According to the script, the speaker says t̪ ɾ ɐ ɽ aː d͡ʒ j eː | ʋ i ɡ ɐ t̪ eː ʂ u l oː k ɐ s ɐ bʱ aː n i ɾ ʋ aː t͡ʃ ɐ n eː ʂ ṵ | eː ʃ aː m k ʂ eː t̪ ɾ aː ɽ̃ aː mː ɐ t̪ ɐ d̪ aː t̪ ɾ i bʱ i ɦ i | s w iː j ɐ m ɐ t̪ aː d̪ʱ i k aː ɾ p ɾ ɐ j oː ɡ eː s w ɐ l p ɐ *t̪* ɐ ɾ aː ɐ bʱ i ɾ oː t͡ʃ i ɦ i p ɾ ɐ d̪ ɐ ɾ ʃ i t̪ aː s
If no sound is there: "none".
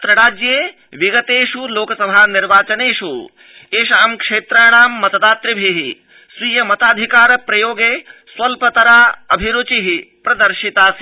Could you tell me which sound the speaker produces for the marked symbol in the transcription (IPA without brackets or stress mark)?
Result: t̪